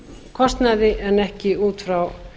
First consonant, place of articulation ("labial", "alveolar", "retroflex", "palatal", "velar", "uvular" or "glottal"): velar